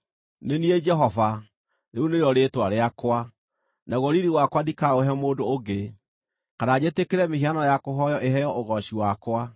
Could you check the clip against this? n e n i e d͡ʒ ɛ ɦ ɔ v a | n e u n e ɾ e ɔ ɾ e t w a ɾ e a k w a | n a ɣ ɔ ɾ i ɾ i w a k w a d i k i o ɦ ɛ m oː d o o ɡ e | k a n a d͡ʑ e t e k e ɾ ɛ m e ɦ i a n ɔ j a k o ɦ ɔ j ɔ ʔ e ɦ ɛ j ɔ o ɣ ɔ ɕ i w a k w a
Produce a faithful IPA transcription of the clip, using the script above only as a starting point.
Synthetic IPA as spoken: n e n i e d͡ʒ ɛ ɦ ɔ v a | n e u n e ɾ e ɔ ɾ e t w a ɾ e a k w a | n a ɣ ɔ ɾ i ɾ i w a k w a d i k a o ɦ ɛ m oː d o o ɡ e | k a n a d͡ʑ e t e k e ɾ ɛ m e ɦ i a n ɔ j a k o ɦ ɔ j ɔ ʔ e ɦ ɛ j ɔ o ɣ ɔ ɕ i w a k w a

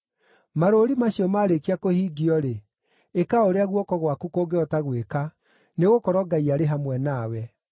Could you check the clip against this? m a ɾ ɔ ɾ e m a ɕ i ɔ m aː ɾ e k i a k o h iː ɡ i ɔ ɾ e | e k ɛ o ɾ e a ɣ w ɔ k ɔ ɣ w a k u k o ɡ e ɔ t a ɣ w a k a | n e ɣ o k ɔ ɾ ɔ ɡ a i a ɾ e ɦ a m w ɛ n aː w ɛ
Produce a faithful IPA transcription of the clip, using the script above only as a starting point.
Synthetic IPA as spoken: m a ɾ o ɾ i m a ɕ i ɔ m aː ɾ e k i a k o h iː ɡ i ɔ ɾ e | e k a o ɾ e a ɣ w ɔ k ɔ ɣ w a k u k o ɡ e ɔ t a ɣ w e k a | n e ɣ o k ɔ ɾ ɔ ɡ a i a ɾ e ɦ a m w ɛ n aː w ɛ

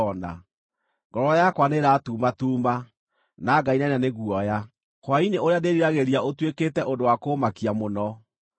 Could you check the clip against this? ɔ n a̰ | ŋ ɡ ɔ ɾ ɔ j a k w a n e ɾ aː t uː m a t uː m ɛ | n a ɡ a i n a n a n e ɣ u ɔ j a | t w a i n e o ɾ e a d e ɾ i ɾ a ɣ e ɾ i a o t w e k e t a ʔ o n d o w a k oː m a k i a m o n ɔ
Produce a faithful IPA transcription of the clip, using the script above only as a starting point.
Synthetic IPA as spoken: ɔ n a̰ | ŋ ɡ ɔ ɾ ɔ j a k w a n e ɾ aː t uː m a t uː m a | n a ɡ a i n a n a n e ɣ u ɔ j a | k w a i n e o ɾ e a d e ɾ i ɾ a ɣ e ɾ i a o t w e k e t ɛ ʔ o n d o w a k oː m a k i a m o n ɔ

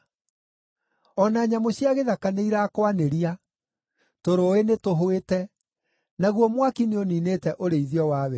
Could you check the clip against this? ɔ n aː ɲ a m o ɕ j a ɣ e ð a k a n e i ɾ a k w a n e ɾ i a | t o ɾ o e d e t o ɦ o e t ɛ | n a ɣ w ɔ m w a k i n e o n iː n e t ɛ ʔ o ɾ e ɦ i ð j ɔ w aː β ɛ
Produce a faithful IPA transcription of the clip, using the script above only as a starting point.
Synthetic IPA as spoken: ɔ n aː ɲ a m o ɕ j a ɣ e ð a k a n e i ɾ a k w a n e ɾ i a | t o ɾ o e n e t o ɦ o e t ɛ | n a ɣ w ɔ m w a k i n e o n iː n e t ɛ ʔ o ɾ e i ð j ɔ w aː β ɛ

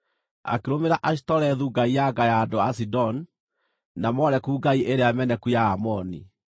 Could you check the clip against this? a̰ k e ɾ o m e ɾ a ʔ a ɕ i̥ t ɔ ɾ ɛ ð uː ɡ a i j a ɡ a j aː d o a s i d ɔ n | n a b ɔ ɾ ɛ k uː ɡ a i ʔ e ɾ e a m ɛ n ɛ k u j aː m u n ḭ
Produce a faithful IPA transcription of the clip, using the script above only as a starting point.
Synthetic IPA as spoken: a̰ k e ɾ o m e ɾ a ʔ a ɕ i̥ t ɔ ɾ ɛ ð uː ɡ a i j a ɡ a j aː d o a s i d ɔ n | n a m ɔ ɾ ɛ k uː ɡ a i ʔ e ɾ e a m ɛ n ɛ k u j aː m ɔ n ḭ

